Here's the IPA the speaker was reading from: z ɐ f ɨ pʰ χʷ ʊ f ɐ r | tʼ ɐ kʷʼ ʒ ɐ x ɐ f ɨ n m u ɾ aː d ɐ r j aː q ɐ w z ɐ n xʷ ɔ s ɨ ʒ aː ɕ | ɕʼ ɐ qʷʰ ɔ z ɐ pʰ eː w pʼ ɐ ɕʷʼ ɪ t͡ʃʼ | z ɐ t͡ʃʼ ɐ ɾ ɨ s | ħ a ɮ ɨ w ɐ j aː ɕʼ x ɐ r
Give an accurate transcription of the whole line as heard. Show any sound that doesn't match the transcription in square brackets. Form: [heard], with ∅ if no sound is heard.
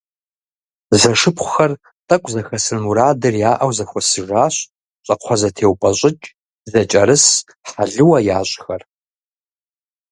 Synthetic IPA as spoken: z ɐ [ʂ] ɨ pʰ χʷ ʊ [x] ɐ r | tʼ ɐ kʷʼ [z] ɐ x ɐ [s] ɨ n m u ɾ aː d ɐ r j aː [ʔ] ɐ w z ɐ [∅] xʷ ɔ s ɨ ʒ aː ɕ | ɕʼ ɐ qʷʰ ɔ z ɐ [tʰ] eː w pʼ ɐ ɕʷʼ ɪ t͡ʃʼ | z ɐ t͡ʃʼ ɐ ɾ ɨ s | ħ a ɮ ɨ w ɐ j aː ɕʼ x ɐ r